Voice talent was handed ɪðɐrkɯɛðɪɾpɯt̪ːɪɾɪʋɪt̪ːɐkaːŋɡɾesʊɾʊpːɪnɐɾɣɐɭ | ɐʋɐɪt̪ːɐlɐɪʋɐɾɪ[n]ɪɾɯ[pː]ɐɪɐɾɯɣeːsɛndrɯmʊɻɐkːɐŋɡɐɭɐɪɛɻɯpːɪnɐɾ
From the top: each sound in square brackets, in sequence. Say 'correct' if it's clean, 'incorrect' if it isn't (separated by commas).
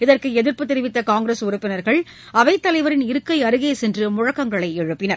correct, incorrect